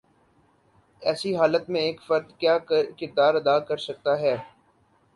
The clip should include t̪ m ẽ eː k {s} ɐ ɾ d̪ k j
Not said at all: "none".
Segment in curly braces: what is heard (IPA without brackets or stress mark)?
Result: f